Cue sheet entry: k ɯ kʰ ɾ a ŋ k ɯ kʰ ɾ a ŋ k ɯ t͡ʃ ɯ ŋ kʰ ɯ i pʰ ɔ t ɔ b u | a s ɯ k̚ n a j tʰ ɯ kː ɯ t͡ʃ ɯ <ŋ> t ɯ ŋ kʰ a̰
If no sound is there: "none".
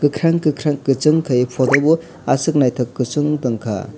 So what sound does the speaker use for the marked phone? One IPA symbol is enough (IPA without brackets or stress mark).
ŋ